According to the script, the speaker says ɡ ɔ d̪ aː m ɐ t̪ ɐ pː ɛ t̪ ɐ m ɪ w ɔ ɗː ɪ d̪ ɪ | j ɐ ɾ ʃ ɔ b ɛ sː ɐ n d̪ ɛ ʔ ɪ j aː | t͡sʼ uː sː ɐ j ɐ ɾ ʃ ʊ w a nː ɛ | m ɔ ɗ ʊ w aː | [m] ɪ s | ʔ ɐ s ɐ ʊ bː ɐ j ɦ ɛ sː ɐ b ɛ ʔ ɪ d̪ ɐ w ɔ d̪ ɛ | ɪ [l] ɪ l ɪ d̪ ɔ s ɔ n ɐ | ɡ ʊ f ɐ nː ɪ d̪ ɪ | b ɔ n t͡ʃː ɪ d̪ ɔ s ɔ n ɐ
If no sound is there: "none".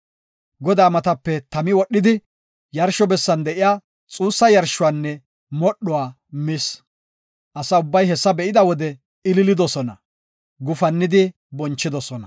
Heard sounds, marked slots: m, l

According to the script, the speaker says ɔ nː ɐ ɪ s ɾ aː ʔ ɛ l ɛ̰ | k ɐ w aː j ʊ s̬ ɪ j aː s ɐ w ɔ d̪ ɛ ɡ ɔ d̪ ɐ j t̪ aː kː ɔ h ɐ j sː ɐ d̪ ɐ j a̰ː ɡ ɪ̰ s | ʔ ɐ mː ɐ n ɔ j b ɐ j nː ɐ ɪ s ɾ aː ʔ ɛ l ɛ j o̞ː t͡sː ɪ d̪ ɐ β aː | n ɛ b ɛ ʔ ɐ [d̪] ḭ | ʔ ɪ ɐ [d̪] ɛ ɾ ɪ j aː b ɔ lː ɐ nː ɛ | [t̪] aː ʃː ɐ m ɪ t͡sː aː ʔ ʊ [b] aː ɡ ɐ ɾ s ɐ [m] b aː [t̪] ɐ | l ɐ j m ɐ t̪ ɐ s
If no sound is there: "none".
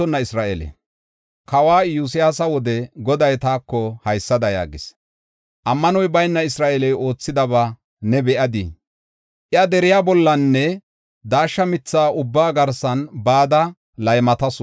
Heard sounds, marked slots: d̪, d̪, d̪, bː, n, d̪

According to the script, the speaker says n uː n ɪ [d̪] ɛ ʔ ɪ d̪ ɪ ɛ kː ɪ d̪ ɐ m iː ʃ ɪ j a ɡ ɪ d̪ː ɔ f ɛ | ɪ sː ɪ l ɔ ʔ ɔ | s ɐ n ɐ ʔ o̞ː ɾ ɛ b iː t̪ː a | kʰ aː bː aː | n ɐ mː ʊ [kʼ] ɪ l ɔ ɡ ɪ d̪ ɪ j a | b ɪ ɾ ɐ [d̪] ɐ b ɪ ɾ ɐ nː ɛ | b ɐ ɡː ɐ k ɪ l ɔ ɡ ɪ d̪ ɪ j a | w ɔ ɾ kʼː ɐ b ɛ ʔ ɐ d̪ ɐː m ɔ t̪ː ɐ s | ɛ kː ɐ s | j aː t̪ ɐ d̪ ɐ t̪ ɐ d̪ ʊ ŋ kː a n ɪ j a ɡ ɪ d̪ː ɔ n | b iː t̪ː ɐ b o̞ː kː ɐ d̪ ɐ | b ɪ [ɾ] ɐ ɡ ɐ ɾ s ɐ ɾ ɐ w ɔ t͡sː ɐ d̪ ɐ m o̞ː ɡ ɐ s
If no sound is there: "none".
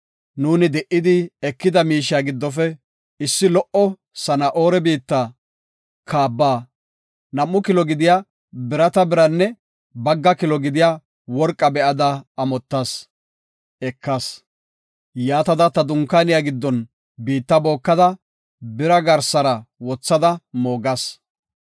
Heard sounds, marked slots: d̪, k, t̪, ɾ

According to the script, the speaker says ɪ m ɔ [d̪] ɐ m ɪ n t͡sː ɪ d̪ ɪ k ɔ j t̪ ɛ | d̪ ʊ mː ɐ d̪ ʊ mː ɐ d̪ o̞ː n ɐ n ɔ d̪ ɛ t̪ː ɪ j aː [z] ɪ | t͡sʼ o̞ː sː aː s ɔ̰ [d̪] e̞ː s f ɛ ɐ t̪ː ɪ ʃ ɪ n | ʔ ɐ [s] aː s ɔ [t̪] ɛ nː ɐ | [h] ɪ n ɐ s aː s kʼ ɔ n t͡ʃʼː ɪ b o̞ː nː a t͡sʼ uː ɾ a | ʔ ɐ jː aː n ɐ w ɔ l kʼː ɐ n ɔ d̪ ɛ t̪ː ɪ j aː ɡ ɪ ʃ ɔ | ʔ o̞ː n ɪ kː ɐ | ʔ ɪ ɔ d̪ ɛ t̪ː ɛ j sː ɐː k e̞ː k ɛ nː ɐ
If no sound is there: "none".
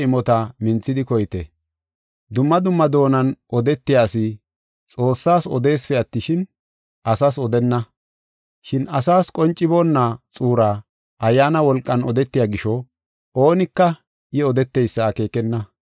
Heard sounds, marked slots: t̪, s, d̪, s, d̪, ʃ

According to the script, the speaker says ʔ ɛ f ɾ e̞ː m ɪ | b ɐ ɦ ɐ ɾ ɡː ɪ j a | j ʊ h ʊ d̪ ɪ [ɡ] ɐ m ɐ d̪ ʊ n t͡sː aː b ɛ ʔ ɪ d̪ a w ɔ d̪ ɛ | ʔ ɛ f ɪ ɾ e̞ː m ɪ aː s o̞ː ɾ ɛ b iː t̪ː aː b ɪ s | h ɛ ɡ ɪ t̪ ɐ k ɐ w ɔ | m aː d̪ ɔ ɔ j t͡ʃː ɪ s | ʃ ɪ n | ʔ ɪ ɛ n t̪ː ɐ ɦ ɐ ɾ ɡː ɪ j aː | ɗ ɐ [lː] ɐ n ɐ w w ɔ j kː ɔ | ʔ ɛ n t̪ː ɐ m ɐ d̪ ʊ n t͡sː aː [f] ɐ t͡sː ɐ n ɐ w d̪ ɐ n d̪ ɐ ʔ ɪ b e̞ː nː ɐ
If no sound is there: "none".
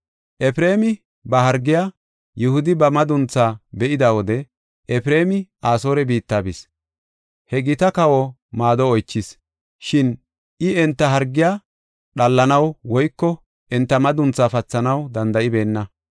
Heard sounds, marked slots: b, lː, f

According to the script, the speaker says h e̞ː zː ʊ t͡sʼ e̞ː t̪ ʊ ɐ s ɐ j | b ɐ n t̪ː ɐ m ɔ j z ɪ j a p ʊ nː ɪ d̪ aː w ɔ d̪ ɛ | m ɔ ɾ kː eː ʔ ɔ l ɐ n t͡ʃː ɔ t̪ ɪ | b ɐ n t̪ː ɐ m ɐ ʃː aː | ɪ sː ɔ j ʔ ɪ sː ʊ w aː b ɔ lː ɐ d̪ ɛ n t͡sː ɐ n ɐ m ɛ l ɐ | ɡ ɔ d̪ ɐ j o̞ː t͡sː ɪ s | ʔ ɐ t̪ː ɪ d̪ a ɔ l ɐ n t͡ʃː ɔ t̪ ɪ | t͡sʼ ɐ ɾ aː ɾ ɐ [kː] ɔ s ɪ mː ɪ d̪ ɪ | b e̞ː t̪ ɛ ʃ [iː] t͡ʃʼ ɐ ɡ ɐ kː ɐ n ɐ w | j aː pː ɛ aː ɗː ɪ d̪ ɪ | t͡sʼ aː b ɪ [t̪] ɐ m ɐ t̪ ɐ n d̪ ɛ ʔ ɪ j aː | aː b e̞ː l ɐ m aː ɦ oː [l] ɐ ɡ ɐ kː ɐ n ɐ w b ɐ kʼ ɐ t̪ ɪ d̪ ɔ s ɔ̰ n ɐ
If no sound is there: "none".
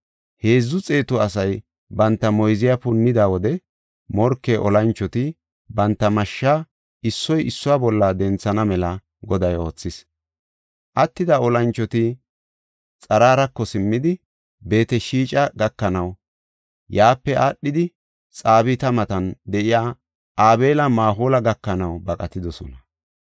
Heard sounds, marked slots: kː, iː, t̪, l

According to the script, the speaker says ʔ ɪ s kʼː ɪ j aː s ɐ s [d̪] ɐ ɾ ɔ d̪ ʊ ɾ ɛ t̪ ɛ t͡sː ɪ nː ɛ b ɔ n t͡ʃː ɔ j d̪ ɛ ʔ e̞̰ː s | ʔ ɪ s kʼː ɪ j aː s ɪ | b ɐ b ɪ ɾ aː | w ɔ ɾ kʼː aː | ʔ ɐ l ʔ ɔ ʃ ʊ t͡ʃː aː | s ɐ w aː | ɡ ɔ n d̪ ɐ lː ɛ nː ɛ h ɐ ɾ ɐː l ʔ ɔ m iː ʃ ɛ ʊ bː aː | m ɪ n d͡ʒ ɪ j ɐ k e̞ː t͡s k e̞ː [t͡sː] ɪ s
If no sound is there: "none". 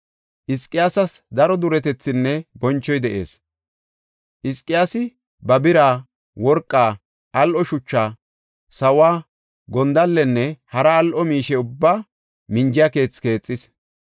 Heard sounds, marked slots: d̪, t͡sʼː

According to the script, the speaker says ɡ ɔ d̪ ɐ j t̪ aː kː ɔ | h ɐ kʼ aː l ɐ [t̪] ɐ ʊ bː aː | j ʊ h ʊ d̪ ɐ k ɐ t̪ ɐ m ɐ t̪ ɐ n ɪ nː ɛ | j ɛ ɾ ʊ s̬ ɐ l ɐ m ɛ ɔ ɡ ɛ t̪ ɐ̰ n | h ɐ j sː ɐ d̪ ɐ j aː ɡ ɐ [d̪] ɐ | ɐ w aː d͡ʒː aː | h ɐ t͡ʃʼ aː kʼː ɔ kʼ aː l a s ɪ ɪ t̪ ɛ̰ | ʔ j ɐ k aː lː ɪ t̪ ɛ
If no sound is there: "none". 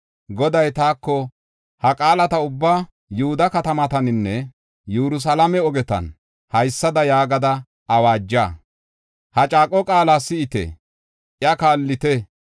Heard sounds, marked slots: t̪, d̪

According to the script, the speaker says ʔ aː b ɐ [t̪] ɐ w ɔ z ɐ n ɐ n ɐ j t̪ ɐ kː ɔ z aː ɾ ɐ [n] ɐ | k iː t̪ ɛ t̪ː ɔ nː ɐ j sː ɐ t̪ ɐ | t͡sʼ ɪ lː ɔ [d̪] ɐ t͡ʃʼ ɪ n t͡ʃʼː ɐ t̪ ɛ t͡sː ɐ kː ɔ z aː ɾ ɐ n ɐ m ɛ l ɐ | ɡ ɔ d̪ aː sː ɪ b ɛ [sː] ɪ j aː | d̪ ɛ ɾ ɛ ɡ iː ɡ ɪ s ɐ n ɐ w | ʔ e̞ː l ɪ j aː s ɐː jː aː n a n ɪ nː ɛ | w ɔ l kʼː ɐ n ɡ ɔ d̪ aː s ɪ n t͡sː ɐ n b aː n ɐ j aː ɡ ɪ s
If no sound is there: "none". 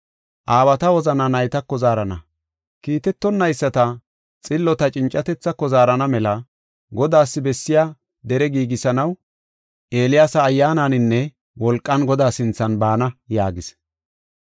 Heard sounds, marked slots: t̪, n, t̪, sː

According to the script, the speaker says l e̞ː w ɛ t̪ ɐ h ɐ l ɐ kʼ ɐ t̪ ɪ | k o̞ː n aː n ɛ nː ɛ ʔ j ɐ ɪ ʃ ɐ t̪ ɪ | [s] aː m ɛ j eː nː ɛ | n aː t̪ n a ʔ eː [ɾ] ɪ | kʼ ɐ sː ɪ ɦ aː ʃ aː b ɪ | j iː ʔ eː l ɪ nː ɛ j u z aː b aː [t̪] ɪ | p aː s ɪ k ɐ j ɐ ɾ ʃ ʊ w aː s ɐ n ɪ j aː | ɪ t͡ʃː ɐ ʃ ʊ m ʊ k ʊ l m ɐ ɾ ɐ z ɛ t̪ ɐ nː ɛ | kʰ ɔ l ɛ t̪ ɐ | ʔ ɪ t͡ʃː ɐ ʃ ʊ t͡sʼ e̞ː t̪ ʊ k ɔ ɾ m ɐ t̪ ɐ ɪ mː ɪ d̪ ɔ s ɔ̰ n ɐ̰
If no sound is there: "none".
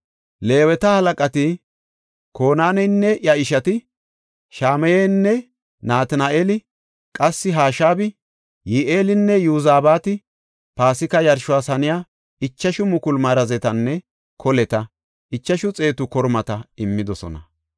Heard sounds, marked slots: ʃ, l, t̪

